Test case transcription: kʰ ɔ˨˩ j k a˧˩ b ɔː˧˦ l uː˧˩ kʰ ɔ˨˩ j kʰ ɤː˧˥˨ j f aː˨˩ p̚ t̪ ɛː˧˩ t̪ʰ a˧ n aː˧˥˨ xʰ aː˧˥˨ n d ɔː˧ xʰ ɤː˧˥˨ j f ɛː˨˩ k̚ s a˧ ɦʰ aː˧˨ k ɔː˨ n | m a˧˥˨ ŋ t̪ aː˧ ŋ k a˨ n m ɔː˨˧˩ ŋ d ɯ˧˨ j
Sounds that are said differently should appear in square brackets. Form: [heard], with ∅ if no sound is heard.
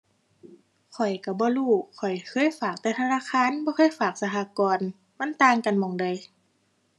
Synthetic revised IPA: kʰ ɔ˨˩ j k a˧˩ b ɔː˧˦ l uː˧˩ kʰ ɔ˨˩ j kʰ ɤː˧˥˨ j f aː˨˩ [k̚] t̪ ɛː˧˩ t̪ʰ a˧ n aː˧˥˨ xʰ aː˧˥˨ n [b] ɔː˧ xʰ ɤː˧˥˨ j f [aː˨˩] k̚ s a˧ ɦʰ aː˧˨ k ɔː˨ n | m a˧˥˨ [n] t̪ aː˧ ŋ k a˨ n m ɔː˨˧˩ ŋ d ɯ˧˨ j

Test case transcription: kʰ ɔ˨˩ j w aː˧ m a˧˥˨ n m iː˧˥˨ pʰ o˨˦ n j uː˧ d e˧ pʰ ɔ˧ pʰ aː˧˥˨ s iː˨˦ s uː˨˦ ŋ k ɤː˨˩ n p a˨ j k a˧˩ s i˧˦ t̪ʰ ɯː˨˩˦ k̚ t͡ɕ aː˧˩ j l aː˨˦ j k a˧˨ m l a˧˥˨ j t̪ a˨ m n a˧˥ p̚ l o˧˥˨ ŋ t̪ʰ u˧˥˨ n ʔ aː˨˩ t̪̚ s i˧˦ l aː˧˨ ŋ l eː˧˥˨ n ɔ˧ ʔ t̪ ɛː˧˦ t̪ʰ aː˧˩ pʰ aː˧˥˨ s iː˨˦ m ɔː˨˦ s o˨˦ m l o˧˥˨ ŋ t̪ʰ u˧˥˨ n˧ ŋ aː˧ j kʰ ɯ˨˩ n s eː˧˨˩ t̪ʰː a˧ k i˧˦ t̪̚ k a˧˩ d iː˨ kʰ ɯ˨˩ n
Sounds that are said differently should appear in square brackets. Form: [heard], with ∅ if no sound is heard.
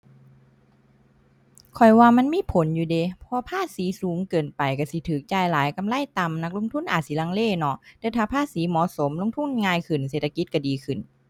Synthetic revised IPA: kʰ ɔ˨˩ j w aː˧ m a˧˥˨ n m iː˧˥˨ pʰ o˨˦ n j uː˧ d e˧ pʰ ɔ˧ pʰ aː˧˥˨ s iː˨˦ s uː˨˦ ŋ k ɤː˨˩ n p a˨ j k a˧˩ s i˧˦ t̪ʰ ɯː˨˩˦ k̚ t͡ɕ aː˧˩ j l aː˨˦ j k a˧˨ m l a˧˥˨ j t̪ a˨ m n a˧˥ [k̚] l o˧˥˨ ŋ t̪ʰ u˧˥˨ n ʔ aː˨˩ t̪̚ s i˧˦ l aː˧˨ ŋ l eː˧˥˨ n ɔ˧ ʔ t̪ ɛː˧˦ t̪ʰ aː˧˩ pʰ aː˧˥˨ s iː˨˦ m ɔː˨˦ s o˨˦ m l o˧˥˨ ŋ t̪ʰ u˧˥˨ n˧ ŋ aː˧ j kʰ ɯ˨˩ n s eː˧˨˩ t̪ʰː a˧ k i˧˦ t̪̚ k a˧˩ d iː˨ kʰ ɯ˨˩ n

